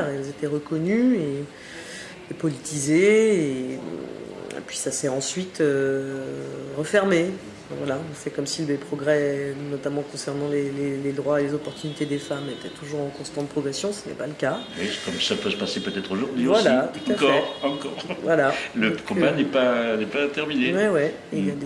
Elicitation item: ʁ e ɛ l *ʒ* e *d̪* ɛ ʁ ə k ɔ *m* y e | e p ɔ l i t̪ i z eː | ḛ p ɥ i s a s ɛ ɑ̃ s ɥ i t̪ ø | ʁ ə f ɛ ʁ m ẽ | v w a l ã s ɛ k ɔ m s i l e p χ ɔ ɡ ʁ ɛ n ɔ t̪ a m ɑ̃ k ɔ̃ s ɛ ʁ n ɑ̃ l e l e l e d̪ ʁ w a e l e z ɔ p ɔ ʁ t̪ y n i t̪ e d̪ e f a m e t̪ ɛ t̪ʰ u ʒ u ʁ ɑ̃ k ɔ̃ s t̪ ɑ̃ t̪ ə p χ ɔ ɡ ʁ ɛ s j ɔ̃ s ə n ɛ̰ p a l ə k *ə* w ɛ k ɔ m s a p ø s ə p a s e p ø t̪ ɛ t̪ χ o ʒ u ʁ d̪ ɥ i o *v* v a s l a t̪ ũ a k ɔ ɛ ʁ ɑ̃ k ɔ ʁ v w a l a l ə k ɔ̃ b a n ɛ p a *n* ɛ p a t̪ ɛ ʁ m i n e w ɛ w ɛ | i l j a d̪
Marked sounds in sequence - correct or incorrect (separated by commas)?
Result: incorrect, incorrect, incorrect, incorrect, correct, correct